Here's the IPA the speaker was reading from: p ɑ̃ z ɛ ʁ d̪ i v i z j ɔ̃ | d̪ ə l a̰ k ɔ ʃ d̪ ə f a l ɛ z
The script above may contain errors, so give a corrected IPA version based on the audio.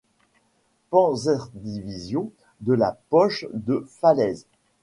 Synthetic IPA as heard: p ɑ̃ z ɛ ʁ d̪ i v i z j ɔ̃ | d̪ ə l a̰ p ɔ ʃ d̪ ə f a l ɛ z